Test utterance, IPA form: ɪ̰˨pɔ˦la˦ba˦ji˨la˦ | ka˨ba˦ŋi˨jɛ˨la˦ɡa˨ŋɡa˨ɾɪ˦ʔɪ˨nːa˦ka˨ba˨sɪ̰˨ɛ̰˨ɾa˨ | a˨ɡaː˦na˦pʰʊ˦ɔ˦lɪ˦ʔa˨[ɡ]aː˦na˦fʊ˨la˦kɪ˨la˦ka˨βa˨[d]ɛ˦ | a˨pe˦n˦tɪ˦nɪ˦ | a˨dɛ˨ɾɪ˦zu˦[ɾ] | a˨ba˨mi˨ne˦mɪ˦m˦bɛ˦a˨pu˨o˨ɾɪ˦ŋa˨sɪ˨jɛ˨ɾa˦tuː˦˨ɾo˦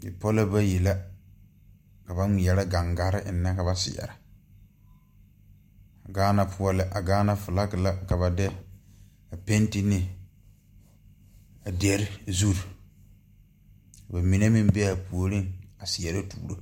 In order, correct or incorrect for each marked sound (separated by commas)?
correct, correct, correct